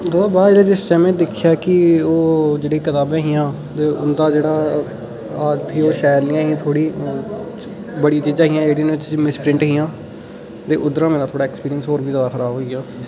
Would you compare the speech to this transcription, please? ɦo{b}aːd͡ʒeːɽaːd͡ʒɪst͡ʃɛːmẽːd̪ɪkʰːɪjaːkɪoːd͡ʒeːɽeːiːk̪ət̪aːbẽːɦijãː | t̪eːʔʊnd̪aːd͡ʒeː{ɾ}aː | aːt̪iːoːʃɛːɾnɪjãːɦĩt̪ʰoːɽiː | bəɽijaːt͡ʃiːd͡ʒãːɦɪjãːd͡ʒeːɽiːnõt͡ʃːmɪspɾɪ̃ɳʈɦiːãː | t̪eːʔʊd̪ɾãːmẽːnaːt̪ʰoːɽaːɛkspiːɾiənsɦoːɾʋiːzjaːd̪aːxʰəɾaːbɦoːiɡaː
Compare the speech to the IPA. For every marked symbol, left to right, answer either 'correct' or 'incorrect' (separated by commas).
correct, incorrect